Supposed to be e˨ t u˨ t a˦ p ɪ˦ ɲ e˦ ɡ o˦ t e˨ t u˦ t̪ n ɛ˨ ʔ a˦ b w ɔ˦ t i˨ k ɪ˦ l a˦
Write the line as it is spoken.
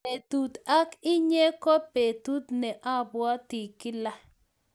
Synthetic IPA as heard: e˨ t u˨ t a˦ k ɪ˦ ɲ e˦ k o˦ p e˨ t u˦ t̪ n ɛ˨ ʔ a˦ b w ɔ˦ t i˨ k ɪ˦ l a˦